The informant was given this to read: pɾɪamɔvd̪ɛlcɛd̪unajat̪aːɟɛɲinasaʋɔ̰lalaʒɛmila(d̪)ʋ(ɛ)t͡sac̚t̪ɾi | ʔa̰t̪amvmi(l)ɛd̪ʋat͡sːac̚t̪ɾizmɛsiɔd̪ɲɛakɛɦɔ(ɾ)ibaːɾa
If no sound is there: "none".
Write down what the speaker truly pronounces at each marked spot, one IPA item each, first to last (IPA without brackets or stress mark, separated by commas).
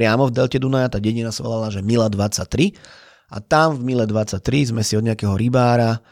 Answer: d̪, a, l, ɾ